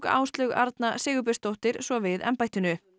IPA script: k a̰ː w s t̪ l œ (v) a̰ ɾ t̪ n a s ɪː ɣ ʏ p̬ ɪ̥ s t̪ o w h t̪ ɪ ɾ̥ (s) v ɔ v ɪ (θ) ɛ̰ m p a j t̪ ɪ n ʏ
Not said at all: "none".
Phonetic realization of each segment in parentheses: ɣ, s, ð

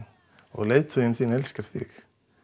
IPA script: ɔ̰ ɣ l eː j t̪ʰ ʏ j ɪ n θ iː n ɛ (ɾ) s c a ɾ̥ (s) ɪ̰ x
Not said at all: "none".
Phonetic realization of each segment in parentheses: l, θ

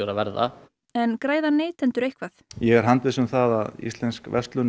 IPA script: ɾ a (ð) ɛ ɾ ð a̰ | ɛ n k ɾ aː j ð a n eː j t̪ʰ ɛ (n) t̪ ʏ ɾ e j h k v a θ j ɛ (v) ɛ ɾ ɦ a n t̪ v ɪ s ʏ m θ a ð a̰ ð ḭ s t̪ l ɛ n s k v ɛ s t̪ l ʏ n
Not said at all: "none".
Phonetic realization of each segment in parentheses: v, n, ɣ

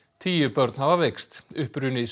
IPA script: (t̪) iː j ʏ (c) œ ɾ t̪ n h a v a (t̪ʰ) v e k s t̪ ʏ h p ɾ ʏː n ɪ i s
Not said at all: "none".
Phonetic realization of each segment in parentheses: t̪ʰ, p, none

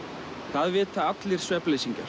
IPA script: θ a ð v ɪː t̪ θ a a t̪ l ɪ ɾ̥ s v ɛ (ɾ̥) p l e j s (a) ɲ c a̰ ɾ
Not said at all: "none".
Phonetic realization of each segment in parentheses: none, i

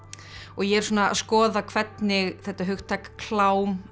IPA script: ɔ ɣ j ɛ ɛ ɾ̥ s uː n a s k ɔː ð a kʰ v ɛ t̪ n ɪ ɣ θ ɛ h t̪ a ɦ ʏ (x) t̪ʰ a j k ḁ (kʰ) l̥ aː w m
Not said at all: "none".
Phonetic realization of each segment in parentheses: x, kʰ

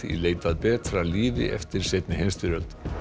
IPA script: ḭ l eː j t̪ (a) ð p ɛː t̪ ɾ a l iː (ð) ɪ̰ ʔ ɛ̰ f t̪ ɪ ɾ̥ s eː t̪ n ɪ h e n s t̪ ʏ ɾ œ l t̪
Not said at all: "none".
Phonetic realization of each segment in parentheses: a, v

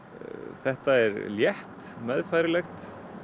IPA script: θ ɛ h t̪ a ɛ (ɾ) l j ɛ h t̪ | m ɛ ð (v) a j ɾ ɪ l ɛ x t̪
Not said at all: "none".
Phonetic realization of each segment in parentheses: ɾ, f

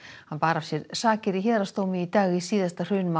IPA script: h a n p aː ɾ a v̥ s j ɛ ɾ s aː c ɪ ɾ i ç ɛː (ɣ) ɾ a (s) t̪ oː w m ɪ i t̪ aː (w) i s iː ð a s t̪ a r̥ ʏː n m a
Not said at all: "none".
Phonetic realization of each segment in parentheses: ð, s, ɣ

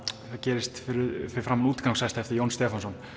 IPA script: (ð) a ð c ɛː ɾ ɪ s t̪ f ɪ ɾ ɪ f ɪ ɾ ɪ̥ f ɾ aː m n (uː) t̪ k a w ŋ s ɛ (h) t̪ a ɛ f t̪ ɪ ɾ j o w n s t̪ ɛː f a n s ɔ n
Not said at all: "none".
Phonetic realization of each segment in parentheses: θ, uː, s

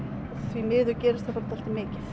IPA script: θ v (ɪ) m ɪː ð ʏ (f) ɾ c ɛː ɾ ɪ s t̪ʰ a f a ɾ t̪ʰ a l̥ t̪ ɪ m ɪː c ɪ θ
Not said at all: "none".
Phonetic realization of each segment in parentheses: i, none

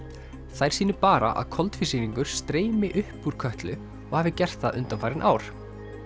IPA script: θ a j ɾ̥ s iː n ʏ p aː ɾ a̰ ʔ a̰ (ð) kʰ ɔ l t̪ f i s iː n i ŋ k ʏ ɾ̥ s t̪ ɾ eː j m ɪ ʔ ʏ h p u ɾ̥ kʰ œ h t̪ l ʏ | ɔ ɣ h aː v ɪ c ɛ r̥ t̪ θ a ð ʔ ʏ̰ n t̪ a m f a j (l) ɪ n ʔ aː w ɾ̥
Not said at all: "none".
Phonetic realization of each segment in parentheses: ð, ɾ

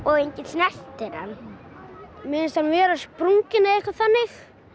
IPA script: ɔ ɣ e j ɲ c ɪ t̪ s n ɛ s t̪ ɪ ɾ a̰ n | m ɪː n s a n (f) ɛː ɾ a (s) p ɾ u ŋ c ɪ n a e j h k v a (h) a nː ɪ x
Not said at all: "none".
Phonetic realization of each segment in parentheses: v, s, θ

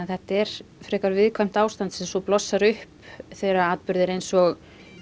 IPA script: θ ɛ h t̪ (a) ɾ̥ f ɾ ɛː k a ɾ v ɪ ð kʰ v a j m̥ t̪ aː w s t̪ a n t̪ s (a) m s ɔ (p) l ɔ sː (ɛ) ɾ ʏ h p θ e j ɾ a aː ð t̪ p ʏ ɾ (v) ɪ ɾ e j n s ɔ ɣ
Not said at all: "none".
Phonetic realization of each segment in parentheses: ɛ, ɛ, p, a, ð

